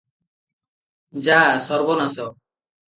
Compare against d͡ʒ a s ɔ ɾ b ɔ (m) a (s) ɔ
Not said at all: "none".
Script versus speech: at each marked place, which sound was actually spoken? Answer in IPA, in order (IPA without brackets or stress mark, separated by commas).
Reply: n, s